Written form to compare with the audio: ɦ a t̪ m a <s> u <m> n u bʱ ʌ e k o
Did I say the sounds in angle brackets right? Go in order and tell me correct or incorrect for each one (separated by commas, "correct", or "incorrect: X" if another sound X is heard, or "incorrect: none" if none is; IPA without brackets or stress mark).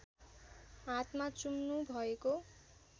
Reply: incorrect: t͡s, correct